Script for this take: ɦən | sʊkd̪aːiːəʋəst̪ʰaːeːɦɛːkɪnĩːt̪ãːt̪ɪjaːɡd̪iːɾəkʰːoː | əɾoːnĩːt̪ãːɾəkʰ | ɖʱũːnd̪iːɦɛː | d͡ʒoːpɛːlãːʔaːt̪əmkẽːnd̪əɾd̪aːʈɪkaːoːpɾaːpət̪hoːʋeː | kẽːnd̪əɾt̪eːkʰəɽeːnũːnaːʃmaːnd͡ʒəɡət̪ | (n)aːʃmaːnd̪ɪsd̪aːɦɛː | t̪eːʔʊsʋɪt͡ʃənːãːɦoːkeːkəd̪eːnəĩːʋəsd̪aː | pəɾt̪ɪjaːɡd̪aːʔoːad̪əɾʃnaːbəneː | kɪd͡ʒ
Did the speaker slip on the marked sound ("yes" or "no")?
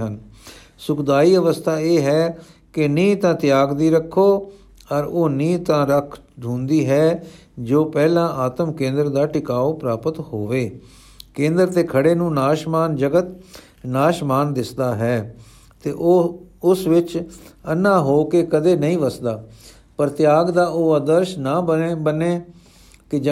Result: no